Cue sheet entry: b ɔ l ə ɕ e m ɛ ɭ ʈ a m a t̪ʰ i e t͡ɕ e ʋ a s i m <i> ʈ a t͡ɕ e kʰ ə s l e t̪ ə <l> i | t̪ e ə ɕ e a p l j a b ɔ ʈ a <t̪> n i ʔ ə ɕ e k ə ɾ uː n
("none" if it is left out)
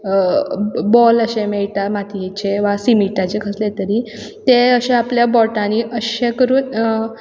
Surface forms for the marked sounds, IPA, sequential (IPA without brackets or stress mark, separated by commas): i, ɾ, none